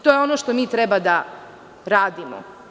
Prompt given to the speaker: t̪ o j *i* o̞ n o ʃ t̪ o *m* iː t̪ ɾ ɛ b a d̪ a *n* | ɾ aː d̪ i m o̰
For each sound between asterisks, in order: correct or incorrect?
incorrect, correct, incorrect

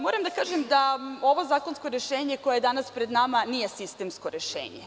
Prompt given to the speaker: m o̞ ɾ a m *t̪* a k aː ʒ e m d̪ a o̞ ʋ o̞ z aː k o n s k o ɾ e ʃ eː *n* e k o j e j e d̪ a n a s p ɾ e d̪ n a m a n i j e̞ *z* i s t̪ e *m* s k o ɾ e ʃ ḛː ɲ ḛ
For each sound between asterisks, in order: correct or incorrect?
incorrect, incorrect, incorrect, correct

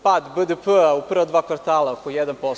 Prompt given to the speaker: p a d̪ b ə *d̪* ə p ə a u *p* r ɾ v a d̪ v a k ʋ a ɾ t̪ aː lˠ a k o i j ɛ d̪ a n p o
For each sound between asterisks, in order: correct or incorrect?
correct, correct

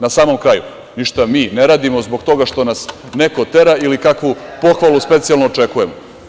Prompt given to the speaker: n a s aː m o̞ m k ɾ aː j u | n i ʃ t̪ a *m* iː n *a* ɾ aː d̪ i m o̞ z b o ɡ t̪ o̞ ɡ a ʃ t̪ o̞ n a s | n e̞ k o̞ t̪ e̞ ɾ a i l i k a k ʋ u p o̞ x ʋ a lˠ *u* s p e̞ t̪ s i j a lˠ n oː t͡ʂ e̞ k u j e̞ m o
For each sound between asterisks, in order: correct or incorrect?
correct, incorrect, correct

